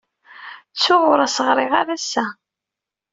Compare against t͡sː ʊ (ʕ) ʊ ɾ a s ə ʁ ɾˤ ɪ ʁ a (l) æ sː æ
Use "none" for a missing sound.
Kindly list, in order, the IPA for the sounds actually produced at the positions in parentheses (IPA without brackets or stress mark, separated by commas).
ʁ, ɾ